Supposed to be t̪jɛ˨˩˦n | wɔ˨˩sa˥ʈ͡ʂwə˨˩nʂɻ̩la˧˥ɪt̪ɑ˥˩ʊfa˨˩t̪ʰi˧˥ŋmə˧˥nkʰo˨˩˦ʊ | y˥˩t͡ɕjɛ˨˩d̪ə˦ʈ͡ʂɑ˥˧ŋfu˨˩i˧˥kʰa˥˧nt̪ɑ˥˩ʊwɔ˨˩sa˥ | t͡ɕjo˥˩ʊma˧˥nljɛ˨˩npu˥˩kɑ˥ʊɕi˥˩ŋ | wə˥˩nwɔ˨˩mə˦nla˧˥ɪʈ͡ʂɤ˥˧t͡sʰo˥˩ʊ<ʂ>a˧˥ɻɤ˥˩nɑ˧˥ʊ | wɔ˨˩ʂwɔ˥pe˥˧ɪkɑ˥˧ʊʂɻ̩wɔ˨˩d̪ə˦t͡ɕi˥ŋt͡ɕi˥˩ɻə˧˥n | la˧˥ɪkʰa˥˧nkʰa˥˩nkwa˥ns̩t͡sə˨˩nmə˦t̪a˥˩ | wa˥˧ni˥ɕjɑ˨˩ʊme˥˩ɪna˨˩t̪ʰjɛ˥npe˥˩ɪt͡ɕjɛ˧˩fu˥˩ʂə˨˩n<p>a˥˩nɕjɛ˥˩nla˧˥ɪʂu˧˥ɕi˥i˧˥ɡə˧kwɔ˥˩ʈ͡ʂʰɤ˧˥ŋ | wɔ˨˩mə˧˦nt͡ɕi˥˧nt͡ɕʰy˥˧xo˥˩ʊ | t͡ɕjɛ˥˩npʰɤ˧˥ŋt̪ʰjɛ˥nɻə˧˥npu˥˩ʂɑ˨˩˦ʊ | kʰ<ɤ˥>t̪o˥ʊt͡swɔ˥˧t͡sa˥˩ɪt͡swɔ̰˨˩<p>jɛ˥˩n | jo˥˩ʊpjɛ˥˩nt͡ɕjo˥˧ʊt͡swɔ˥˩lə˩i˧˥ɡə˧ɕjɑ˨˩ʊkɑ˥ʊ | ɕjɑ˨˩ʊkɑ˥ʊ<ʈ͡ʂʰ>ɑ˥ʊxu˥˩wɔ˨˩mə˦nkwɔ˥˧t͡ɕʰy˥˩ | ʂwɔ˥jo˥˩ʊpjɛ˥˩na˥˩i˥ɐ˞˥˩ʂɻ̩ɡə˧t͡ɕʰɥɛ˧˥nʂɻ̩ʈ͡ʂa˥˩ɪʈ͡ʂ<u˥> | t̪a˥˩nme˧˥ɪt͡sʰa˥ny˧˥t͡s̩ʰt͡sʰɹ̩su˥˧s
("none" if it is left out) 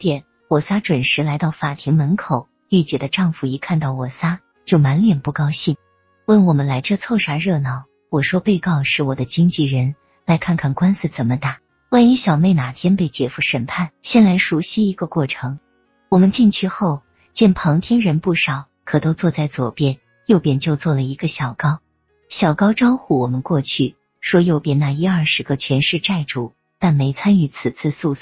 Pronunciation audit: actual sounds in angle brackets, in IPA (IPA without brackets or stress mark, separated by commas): ʂ, pʰ, ɤ˨˩, p, ʈ͡ʂ, u˨˩